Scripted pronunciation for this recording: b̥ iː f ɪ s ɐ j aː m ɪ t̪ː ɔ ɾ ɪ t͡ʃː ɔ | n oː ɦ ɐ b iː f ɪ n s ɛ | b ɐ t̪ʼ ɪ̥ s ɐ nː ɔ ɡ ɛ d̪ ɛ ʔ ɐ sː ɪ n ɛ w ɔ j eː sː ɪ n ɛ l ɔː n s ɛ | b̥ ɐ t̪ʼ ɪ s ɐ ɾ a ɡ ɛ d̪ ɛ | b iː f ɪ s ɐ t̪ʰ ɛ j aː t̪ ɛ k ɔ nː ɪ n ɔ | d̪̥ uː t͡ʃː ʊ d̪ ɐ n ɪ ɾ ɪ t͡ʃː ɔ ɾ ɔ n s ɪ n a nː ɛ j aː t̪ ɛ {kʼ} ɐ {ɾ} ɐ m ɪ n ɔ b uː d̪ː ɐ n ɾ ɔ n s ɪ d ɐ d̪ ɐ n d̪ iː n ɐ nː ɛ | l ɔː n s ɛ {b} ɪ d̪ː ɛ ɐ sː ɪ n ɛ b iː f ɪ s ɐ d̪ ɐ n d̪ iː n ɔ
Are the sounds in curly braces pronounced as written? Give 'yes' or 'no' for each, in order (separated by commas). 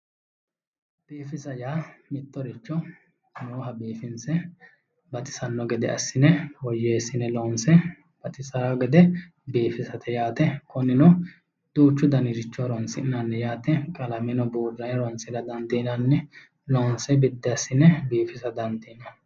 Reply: yes, no, yes